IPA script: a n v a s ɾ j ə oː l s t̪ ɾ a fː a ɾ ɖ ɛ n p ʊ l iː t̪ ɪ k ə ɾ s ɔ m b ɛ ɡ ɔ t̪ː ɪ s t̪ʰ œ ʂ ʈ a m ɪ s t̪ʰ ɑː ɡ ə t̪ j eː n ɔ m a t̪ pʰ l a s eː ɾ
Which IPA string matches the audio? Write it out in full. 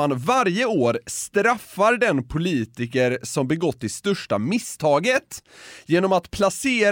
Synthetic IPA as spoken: a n v a ɾ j ə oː ɾ s t̪ ɾ a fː a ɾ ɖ ɛ n pʰ ʊ l iː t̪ ɪ k ə ɾ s ɔ m b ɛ ɡ ɔ t̪ː ɪ s t̪ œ ʂ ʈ a m ɪ s t̪ʰ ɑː ɡ ə t̪ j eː n ɔ m a t̪ pʰ l a s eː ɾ